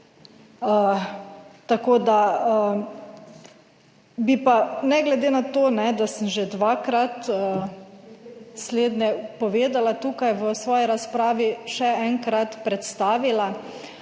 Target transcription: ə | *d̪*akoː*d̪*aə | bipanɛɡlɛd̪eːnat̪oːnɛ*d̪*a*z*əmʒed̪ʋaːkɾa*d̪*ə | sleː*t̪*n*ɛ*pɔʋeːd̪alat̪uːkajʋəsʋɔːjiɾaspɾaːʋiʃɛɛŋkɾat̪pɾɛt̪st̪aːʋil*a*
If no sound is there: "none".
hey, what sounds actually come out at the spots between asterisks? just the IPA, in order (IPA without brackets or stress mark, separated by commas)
t̪, d̪, d̪, s, t̪, d̪, ɛ, a